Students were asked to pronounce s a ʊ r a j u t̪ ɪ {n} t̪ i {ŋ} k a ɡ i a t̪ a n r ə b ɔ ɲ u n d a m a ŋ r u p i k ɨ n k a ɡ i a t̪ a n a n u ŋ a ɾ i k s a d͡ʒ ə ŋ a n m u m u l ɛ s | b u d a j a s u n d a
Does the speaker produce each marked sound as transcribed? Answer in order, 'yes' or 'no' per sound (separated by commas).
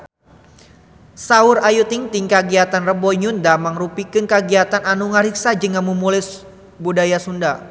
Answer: no, yes